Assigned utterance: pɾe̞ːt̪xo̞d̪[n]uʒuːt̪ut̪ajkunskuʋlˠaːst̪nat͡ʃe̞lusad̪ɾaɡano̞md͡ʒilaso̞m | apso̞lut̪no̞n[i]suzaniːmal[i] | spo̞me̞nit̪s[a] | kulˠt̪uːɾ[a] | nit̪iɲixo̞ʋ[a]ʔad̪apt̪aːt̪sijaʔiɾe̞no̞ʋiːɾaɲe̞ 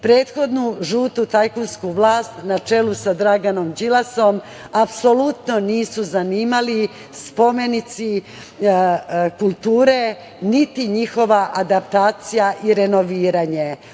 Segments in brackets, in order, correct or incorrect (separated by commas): correct, incorrect, correct, incorrect, incorrect, correct